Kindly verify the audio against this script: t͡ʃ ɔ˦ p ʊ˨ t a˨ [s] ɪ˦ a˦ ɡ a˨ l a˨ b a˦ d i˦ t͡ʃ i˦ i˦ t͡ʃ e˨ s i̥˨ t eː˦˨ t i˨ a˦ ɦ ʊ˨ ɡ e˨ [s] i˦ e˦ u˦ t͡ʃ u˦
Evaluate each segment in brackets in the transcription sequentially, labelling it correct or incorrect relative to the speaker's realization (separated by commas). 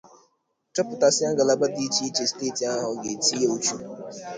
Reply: correct, incorrect